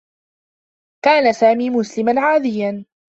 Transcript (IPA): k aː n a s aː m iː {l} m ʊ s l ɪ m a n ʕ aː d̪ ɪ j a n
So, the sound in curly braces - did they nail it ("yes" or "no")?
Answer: no